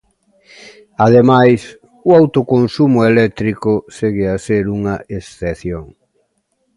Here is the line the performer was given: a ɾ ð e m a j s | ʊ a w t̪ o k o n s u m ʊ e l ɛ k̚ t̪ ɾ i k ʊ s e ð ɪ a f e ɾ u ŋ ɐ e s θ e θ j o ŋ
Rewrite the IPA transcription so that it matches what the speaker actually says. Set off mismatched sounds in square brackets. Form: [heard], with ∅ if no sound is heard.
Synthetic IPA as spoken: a [∅] ð e m a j s | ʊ a w t̪ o k o n s u m ʊ e l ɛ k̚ t̪ ɾ i k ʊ s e [ɣ] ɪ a [s] e ɾ u ŋ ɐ e s θ e θ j o ŋ